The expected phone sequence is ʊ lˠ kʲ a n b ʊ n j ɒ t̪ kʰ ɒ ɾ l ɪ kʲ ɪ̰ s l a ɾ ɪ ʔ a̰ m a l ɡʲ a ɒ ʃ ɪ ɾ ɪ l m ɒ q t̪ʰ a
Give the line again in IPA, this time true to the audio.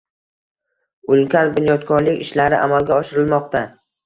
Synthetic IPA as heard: ʊ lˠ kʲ a n b ʊ n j ɒ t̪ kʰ ɒ ɾ l ɪ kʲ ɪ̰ ʃ l a ɾ ɪ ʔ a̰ m a l ɡʲ a ɒ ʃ ɪ ɾ ɪ l m ɒ q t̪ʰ a